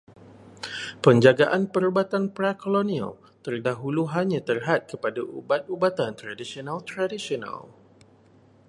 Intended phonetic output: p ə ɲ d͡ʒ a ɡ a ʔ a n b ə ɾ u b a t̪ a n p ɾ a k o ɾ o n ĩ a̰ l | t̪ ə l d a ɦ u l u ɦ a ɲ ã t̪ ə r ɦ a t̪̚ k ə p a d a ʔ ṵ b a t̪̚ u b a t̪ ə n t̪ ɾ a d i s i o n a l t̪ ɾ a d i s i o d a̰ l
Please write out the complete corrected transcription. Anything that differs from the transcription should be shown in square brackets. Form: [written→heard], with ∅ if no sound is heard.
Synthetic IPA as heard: p ə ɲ d͡ʒ a ɡ a ʔ a n [b→p] ə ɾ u b a t̪ a n p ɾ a k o [ɾ→l] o n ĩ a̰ l | t̪ ə [l→r] d a ɦ u l u ɦ a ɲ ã t̪ ə r ɦ a t̪̚ k ə p a d a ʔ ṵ b a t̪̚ u b a t̪ [ə→a] n t̪ ɾ a d i s i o n a l t̪ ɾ a d i s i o [d→n] a̰ l